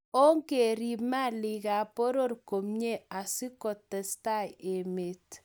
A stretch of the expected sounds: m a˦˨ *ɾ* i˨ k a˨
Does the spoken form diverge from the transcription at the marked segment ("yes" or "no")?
yes